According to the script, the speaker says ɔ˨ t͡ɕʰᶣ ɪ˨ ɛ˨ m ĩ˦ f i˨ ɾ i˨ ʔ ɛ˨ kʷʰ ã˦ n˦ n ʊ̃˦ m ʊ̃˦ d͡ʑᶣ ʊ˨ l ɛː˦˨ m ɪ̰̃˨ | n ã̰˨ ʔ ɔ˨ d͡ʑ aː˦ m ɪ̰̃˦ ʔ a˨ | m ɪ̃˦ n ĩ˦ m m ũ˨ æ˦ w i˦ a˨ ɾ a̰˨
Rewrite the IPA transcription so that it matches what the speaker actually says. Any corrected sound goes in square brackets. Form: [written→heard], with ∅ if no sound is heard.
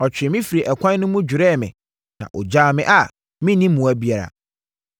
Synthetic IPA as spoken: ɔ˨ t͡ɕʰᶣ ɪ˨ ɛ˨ m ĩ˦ f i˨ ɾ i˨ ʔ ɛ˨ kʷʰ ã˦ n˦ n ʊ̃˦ m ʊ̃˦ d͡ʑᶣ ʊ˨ [l→ɾ] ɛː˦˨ m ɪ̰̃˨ | n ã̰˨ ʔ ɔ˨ d͡ʑ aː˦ m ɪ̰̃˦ ʔ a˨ | m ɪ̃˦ n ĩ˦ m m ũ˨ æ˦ [w→b] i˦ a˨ ɾ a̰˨

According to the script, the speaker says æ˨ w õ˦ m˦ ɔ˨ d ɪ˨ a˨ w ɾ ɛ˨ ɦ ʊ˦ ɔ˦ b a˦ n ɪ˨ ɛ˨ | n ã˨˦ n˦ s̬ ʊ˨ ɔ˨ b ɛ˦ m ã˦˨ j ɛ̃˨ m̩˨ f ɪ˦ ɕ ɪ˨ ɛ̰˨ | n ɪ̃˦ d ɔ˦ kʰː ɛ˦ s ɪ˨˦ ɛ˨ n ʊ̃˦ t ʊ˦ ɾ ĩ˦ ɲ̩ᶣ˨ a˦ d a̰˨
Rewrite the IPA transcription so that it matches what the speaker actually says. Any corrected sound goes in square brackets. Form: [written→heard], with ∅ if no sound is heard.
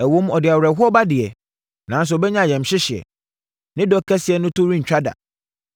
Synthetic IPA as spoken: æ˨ w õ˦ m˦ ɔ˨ d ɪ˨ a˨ w ɾ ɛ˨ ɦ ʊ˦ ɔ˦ b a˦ [n→d] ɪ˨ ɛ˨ | n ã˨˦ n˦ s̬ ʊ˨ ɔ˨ b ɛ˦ [m→ɲ] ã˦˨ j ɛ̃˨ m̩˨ [f→ɕ] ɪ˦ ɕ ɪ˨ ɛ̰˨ | n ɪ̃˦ d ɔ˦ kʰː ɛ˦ s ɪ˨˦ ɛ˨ n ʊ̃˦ t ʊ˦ ɾ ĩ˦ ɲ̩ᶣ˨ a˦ d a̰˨

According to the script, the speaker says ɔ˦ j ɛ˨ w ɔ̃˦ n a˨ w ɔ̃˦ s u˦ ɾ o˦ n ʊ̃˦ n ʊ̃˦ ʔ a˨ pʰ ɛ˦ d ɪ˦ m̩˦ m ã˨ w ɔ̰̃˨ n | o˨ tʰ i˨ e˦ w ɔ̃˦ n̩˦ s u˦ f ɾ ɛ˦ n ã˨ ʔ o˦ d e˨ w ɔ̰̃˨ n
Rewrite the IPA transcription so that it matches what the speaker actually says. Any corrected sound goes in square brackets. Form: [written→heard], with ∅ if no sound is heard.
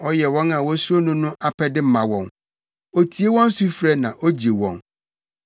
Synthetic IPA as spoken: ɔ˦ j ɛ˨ w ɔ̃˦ n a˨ w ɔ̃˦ s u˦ ɾ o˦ n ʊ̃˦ n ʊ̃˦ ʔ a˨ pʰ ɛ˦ d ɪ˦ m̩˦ m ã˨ w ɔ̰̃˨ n | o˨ tʰ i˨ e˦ w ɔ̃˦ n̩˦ s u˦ f ɾ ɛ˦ n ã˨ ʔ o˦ [d→d͡ʑ] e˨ w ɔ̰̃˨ n

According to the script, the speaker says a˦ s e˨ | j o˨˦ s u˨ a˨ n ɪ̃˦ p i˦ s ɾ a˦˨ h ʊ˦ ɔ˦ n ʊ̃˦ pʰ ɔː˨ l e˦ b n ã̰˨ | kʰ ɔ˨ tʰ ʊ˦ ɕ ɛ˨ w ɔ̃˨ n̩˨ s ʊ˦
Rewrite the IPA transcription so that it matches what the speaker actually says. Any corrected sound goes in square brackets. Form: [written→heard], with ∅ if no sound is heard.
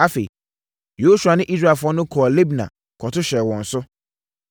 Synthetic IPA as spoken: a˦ [s→f] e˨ | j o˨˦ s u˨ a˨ n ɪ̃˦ [p→ʔ] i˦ s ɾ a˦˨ [h→f] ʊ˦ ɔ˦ n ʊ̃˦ [pʰ→kʰ] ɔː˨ l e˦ b n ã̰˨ | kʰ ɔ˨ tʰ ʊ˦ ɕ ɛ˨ w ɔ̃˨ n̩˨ s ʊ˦

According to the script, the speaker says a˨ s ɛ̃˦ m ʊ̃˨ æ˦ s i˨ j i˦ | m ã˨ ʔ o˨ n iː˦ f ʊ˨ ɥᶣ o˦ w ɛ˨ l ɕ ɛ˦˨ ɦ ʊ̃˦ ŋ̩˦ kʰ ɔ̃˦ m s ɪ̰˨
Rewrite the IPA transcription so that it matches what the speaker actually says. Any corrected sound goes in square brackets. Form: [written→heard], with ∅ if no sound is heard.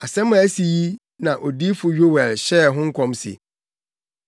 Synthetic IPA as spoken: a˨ s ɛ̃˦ m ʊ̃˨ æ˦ s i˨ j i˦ | [m→n] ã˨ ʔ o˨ [n→d] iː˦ f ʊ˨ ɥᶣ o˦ w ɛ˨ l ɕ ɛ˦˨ ɦ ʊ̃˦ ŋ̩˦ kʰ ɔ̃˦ m s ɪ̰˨

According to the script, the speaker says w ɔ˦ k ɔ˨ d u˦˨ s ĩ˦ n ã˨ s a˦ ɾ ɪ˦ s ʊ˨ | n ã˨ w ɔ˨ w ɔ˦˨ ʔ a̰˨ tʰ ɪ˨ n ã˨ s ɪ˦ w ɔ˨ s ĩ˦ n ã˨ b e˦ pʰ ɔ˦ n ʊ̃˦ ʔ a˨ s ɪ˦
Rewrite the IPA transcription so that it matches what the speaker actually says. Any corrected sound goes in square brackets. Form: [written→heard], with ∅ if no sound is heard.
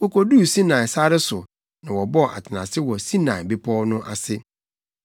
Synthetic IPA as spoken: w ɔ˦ k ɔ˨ d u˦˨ s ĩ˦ n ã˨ s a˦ ɾ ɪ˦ s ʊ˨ | n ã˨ w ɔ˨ [w→b] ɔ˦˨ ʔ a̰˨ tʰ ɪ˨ n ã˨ s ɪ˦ w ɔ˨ s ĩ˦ n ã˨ b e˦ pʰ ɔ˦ n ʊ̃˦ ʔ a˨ s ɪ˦

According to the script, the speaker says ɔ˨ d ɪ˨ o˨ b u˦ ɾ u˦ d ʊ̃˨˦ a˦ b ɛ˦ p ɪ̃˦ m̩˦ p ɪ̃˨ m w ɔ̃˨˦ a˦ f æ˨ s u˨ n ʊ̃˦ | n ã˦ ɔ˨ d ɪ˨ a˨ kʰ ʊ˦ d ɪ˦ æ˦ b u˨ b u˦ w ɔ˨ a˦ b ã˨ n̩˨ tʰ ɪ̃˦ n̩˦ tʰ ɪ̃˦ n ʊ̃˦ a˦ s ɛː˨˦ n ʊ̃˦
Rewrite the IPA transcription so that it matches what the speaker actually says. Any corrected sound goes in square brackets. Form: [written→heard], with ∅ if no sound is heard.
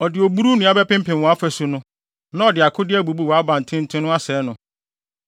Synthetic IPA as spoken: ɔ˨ d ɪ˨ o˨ b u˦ ɾ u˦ [d→n] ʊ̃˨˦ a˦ b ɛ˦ p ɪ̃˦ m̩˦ p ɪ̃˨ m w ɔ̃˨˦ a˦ f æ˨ s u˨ n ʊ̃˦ | n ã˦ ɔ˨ d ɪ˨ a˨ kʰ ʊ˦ d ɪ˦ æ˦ b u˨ b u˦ w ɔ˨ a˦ b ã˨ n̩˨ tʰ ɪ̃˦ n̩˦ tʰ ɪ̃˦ n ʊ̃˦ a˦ s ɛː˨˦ n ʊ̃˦

